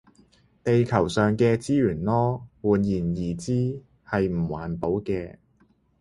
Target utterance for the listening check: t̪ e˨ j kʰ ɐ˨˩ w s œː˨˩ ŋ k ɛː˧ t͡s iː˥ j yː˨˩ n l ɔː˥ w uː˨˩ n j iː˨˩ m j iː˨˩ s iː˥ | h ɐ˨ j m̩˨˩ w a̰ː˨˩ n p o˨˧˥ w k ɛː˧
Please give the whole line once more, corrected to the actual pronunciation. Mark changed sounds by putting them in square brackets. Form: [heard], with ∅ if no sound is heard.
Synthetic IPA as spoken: t̪ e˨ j kʰ ɐ˨˩ w s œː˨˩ ŋ k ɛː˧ t͡s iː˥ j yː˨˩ n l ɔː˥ w uː˨˩ n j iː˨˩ [n] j iː˨˩ [t͡s] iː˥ | h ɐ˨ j m̩˨˩ w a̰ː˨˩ n p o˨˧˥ w k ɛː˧